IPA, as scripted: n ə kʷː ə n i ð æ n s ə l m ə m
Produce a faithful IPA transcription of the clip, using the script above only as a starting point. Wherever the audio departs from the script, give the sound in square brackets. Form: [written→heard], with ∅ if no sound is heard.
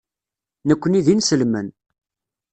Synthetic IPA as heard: n ə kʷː ə n i ð [æ→i] n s ə l m ə [m→n]